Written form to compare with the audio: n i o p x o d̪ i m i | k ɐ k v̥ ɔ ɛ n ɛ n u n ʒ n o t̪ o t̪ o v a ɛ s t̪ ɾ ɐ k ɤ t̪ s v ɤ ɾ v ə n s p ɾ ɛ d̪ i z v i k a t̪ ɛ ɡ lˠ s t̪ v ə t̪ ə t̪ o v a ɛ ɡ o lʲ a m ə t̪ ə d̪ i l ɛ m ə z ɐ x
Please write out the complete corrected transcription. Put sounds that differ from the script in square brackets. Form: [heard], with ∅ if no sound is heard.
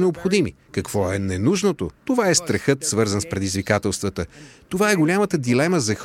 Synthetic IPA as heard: n [ɛ] o p x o d̪ i m i | k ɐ k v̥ ɔ ɛ n ɛ n u [∅] ʒ n o t̪ o t̪ o v a ɛ s t̪ ɾ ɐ [x] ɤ t̪ s v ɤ ɾ [z] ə n s p ɾ ɛ d̪ i z v i k a t̪ ɛ [∅] lˠ s t̪ v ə t̪ ə t̪ o v a ɛ ɡ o lʲ a m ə t̪ ə d̪ i l ɛ m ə z ɐ x